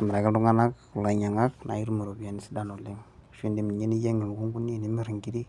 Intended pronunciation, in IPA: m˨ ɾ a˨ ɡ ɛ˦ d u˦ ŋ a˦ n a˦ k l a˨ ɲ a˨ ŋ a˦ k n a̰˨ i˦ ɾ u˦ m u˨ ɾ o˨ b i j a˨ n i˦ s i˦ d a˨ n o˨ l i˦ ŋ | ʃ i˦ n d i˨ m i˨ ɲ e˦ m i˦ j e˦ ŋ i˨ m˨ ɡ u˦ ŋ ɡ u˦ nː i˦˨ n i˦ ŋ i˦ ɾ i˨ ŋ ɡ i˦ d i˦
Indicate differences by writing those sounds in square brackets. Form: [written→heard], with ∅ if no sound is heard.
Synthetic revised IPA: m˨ ɾ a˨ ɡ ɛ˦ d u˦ ŋ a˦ n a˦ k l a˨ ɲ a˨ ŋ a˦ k n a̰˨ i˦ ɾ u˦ m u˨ ɾ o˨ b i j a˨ n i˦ s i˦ d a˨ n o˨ l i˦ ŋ | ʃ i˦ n d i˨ m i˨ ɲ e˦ [m→n] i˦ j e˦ ŋ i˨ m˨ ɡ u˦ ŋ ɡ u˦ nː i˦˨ n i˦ [ŋ→m] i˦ ɾ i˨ ŋ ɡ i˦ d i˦